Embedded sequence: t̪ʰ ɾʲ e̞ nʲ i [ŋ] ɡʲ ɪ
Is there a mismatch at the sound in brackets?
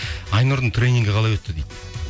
no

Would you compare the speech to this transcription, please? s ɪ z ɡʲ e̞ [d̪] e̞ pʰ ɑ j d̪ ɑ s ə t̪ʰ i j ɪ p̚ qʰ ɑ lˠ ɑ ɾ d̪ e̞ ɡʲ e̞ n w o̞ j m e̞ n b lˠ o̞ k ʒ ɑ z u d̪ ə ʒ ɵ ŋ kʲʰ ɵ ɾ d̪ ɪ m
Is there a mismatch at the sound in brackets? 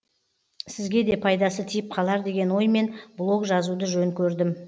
no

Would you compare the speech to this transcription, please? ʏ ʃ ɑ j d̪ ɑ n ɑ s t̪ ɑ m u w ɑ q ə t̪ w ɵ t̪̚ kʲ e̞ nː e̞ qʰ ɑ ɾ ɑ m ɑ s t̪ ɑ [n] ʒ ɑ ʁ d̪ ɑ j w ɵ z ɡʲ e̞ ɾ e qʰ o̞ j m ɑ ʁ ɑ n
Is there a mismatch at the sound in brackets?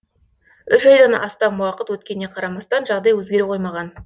no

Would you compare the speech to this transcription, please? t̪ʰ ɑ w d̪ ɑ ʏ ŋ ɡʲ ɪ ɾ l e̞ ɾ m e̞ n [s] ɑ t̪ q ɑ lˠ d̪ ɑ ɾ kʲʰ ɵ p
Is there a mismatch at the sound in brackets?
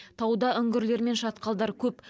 yes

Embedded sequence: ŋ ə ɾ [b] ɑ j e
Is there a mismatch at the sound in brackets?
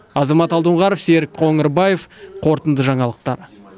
no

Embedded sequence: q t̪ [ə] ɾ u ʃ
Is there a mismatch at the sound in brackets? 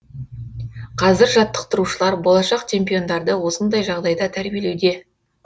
no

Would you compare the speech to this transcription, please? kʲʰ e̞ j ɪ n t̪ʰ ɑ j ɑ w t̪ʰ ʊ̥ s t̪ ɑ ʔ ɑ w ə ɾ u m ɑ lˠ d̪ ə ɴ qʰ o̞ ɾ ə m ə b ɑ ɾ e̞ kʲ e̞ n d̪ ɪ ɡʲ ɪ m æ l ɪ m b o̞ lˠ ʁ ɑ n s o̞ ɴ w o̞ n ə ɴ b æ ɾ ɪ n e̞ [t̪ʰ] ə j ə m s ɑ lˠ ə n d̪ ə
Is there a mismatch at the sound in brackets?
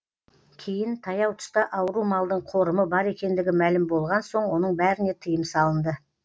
no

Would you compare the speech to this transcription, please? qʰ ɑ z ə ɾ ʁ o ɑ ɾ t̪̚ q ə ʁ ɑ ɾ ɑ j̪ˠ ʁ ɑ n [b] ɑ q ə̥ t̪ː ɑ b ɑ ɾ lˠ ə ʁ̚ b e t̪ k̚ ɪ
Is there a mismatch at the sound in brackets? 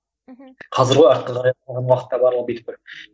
yes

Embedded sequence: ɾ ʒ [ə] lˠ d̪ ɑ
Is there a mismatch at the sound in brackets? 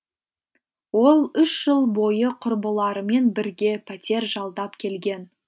yes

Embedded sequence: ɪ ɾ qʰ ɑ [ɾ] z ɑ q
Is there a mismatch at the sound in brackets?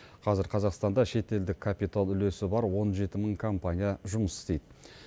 yes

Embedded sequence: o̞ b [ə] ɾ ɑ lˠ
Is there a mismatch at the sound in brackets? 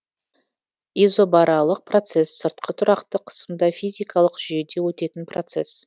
yes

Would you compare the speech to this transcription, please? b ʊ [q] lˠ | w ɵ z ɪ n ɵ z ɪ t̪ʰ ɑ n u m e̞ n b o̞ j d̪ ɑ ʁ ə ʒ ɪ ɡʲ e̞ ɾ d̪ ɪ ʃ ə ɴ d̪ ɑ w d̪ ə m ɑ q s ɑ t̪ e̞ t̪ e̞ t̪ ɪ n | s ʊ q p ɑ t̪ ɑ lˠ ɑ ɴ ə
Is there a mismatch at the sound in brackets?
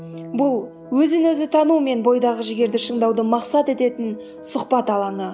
yes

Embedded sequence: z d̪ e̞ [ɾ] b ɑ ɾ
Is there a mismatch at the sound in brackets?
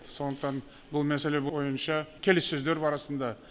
no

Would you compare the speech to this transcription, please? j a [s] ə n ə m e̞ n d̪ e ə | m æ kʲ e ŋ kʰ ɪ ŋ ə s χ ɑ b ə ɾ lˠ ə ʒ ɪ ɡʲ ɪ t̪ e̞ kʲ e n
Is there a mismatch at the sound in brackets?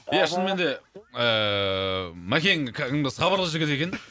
yes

